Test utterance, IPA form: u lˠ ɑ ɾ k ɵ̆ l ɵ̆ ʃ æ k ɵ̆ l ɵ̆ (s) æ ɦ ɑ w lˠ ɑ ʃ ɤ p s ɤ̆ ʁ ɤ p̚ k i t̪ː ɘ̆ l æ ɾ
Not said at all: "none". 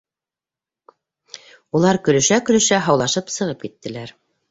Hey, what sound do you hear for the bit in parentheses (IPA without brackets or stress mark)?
ʃ